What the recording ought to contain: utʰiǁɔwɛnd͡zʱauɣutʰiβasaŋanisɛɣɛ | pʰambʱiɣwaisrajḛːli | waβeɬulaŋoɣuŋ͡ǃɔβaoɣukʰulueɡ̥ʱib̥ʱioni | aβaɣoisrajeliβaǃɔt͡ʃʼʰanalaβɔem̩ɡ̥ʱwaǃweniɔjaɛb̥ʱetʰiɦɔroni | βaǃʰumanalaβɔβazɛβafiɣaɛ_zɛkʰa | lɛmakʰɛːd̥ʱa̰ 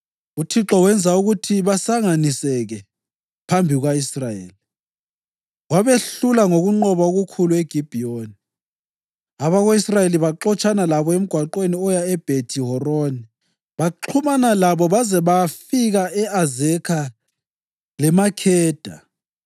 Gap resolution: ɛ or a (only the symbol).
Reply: a